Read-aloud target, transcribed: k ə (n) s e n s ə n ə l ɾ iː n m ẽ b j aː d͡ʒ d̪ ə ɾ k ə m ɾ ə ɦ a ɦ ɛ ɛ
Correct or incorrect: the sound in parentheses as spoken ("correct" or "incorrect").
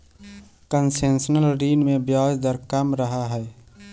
correct